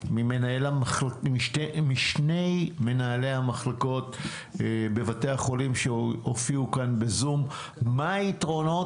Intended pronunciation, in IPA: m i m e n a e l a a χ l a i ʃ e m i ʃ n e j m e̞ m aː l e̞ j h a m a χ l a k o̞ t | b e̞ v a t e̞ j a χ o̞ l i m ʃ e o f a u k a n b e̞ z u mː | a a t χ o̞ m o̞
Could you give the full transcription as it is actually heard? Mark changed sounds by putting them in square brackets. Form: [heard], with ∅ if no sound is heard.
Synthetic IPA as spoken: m i m e n a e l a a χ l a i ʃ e m i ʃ n e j m e̞ [n] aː l e̞ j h a m a χ l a k o̞ t | b e̞ v a t e̞ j a χ o̞ l i m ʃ e o f [i] u k a n b e̞ z u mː | a [i] t [ʁ] o̞ [n] o̞

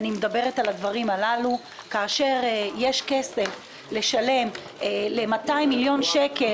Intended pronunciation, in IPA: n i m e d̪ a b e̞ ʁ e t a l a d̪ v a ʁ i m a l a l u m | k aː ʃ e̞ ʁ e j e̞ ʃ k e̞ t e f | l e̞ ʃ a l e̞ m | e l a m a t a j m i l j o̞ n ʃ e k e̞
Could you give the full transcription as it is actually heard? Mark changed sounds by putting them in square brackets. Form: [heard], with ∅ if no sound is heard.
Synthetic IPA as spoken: n i m e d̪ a b e̞ ʁ e t a l a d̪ v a ʁ i m a l a l u [∅] | k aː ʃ e̞ ʁ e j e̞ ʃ k e̞ [s] e f | l e̞ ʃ a l e̞ m | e l [e] m a t a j m i l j o̞ n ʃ e k e̞

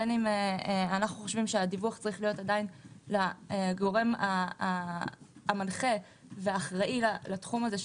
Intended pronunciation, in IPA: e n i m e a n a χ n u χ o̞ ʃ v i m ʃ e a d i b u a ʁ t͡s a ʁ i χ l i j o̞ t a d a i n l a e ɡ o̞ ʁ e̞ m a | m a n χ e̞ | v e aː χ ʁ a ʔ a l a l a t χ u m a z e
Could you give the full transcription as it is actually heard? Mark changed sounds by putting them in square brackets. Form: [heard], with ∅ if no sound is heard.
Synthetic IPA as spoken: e n i m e a n a χ n u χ o̞ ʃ v i m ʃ e a d i [v] u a [χ] t͡s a ʁ i χ l i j o̞ t a d a i n l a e ɡ o̞ ʁ e̞ m a | m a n χ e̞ | v e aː χ ʁ a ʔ [i] l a l a t χ u m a z e

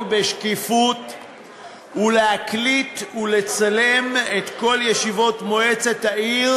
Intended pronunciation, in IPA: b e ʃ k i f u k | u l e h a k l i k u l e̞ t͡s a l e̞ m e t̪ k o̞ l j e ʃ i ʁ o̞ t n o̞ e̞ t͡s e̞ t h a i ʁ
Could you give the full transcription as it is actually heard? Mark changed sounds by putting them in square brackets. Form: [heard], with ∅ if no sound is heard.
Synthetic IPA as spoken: b e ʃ k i f u [t] | u l e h a k l i [t] u l e̞ t͡s a l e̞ m e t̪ k o̞ l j e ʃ i [v] o̞ t [m] o̞ e̞ t͡s e̞ t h a i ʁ

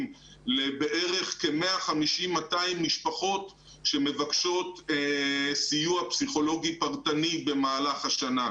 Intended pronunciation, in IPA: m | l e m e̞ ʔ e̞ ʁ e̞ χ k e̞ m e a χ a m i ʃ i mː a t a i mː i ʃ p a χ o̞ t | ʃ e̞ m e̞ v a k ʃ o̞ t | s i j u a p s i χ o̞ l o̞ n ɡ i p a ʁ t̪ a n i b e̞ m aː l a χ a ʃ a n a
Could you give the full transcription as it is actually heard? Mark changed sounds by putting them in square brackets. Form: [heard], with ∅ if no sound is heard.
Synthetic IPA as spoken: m | l e [b] e̞ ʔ e̞ ʁ e̞ χ k e̞ m e a χ a m i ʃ i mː a t a i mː i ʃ p a χ o̞ t | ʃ e̞ m e̞ v a k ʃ o̞ t | s i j u a p s i χ o̞ l o̞ [∅] ɡ i p a ʁ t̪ a n i b e̞ m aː l a χ a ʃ a n a

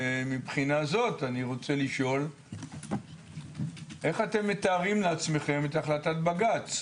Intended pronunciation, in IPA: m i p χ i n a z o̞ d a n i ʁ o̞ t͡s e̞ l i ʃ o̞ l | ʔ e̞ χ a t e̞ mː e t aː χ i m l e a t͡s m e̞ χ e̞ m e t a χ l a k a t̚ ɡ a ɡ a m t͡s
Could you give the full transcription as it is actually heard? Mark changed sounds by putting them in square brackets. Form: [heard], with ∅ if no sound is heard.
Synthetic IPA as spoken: m i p χ i n a z o̞ [t] a n i ʁ o̞ t͡s e̞ l i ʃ o̞ l | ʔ e̞ χ a t e̞ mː e t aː [ʁ] i m l e a t͡s m e̞ χ e̞ m e t a χ l a [t] a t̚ [b] a ɡ a [∅] t͡s

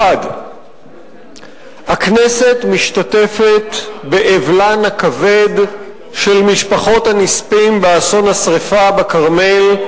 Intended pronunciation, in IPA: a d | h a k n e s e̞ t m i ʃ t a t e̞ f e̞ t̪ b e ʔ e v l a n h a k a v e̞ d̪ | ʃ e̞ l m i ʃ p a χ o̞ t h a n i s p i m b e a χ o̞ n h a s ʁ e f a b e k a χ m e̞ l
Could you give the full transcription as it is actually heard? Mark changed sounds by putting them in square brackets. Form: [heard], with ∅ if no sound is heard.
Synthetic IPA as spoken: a d | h a k n e s e̞ t m i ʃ t a t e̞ f e̞ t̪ b e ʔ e v l a n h a k a v e̞ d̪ | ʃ e̞ l m i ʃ p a χ o̞ t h a n i s p i m b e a [s] o̞ n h a s ʁ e f a b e k a [ʁ] m e̞ l

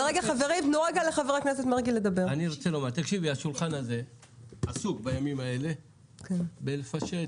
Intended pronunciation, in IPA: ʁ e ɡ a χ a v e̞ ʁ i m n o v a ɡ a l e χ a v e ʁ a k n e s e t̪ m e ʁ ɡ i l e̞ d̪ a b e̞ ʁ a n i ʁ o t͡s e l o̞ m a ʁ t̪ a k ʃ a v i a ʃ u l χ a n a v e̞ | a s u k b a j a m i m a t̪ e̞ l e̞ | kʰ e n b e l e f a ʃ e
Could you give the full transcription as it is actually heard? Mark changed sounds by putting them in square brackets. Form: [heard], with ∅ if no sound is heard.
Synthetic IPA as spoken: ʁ e ɡ a χ a v e̞ ʁ i m n o [ʁ] a ɡ a l e χ a v e ʁ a k n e s e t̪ m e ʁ ɡ i l e̞ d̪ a b e̞ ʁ a n i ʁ o t͡s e l o̞ m a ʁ t̪ a k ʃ [i] v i a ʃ u l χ a n a [z] e̞ | a s u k b a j a m i m a [∅] e̞ l e̞ | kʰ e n b e l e f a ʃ e

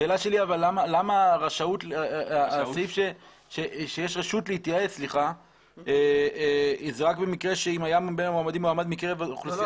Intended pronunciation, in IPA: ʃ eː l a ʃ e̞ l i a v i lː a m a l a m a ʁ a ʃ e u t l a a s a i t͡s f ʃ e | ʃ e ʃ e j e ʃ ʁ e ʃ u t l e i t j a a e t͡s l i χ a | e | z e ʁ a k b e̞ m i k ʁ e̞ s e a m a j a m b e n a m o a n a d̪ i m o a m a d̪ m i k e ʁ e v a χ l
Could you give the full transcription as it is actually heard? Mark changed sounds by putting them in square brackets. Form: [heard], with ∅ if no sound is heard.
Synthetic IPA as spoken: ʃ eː l a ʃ e̞ l i a v [a] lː a m a l a m a ʁ a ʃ [a] u t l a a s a i [∅] f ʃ e | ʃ e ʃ e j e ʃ ʁ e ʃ u t l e i t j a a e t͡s l i χ a | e | z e ʁ a k b e̞ m i k ʁ e̞ [ʃ] e [i] m a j a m b e n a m o a [m] a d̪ i m o a m a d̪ m i k e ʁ e v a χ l

